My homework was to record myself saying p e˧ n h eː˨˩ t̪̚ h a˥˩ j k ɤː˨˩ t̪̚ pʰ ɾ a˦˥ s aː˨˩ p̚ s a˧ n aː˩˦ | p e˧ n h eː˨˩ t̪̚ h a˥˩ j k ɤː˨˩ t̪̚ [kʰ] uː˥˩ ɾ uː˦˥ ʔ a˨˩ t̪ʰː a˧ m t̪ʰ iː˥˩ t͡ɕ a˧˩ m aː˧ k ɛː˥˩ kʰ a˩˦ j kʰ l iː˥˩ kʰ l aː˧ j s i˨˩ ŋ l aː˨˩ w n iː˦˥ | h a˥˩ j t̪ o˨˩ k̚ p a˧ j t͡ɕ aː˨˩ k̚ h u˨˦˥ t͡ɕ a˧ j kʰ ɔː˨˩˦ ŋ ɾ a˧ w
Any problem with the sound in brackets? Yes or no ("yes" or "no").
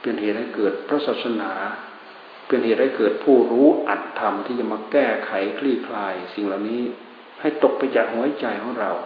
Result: yes